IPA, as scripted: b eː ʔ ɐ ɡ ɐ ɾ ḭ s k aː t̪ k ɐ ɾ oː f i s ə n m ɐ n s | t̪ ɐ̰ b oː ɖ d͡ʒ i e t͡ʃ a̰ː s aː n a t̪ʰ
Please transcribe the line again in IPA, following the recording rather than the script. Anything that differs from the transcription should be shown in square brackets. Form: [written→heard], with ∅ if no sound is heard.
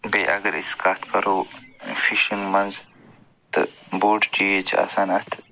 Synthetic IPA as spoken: b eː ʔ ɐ ɡ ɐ ɾ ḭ s k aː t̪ k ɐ ɾ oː f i [s→ʃ] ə n m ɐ n [s→z] | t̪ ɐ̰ b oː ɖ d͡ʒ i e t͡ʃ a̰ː s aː n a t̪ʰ